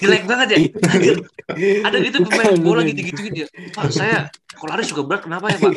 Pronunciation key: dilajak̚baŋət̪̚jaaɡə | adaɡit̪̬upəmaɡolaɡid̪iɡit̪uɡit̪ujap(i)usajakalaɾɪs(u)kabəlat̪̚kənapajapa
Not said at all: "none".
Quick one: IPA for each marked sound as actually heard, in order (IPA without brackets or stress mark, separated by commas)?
a, u